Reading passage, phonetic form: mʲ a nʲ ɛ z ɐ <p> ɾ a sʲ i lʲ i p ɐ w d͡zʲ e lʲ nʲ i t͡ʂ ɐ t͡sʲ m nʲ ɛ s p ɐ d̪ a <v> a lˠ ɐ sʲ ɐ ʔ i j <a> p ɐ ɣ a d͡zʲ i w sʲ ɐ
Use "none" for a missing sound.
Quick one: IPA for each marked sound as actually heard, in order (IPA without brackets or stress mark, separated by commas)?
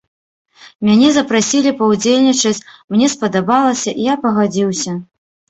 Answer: p, b, a